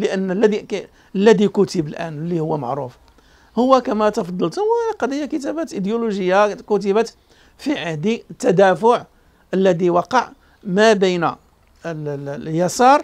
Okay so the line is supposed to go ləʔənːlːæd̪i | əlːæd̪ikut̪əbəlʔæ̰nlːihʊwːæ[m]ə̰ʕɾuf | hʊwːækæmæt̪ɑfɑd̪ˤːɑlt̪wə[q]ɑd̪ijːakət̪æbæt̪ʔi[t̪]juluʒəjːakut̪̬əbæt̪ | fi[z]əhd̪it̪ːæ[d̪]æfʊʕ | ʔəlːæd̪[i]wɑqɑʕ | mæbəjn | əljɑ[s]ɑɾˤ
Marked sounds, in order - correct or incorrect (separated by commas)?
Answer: correct, correct, incorrect, incorrect, correct, correct, correct